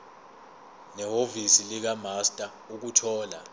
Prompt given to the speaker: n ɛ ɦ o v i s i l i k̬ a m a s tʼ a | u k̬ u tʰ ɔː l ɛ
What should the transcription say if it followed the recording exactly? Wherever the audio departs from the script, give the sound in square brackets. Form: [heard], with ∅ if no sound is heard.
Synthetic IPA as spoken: n ɛ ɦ o v i s i l i k̬ a m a s tʼ a | u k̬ u tʰ ɔː l [a]